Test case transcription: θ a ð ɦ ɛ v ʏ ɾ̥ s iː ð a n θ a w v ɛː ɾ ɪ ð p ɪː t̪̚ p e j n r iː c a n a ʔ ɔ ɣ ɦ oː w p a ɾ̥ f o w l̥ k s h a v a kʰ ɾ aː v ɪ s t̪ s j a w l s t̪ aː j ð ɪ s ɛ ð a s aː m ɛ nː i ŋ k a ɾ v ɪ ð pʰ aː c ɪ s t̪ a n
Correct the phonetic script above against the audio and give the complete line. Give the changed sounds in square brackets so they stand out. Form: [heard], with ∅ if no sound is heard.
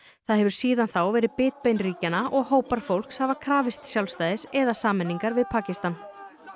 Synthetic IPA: θ a ð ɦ ɛ v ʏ ɾ̥ s iː ð a n θ a w v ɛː ɾ ɪ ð p ɪː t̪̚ p e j n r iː c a n a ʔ ɔ ɣ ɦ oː w p a ɾ̥ f o w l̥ k s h a v a kʰ ɾ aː v ɪ s t̪ s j a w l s t̪ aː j ð ɪ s ɛ ð a s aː m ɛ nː i ŋ k a ɾ v ɪ ð pʰ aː c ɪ s t̪ a n